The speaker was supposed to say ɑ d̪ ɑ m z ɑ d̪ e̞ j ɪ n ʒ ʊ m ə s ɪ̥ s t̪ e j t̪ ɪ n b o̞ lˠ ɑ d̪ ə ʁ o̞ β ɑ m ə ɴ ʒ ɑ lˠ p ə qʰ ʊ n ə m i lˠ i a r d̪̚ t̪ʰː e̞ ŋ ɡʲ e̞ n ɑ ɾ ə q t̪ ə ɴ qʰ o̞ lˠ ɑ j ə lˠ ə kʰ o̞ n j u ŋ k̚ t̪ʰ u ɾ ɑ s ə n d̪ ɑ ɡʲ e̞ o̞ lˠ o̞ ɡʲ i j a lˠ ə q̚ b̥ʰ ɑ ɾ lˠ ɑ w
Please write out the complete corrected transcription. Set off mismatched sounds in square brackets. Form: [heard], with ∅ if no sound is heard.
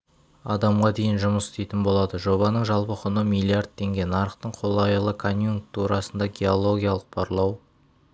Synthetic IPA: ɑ d̪ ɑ m [ʁ] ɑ d̪ e̞ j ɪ n ʒ ʊ m ə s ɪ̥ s t̪ e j t̪ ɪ n b o̞ lˠ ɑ d̪ ə [ʒ] o̞ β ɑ [n] ə ɴ ʒ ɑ lˠ p ə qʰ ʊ n ə m i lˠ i a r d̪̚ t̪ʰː e̞ ŋ ɡʲ e̞ n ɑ ɾ ə q t̪ ə ɴ qʰ o̞ lˠ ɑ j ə lˠ ə kʰ o̞ n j u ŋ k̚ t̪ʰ u ɾ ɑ s ə n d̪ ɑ ɡʲ e̞ o̞ lˠ o̞ ɡʲ i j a lˠ ə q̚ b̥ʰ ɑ ɾ lˠ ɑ w